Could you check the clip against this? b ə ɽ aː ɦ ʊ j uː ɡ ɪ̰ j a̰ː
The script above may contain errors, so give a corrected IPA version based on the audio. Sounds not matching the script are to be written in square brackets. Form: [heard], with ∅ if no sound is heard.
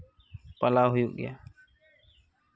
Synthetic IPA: [p] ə [l] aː ɦ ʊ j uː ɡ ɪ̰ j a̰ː